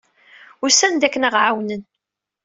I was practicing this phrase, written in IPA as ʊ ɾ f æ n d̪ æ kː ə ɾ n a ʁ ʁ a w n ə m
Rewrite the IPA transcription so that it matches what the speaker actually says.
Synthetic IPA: ʊ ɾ s æ n d̪ æ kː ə n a ʁ ʕ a w n ə n